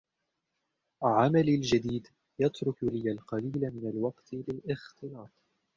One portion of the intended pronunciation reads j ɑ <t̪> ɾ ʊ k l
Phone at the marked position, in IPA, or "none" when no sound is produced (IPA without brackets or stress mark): t̪